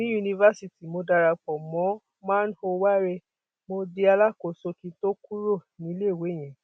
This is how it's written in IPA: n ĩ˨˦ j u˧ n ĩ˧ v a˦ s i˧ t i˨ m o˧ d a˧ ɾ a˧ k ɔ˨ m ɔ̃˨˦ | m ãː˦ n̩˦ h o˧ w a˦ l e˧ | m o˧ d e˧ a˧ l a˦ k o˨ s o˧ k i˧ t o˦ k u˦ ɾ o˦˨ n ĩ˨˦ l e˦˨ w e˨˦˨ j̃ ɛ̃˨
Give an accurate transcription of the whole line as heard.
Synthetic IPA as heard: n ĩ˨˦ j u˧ n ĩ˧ v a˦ s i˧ t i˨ m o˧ d a˧ ɾ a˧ k͡p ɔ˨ m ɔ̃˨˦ | m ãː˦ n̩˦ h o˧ w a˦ ɾ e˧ | m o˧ d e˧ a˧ l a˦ k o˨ s o˧ k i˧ t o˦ k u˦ ɾ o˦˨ n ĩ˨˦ l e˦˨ w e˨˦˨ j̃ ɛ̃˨